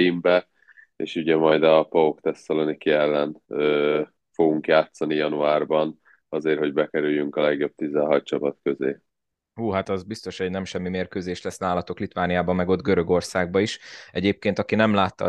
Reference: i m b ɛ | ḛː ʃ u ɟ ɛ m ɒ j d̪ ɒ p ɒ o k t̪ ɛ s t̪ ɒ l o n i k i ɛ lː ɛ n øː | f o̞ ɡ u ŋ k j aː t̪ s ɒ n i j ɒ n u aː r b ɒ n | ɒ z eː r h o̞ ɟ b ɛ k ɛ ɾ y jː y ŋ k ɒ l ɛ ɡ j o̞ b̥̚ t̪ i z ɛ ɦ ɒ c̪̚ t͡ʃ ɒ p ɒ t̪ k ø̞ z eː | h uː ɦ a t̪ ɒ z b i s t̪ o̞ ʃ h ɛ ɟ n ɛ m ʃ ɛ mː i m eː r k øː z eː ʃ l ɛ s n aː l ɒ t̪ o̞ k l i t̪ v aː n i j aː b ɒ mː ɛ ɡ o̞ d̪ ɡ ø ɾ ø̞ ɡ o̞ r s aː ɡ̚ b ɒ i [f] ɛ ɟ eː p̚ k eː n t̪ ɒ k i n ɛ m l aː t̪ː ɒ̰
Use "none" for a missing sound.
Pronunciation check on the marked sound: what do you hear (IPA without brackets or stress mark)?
ʃ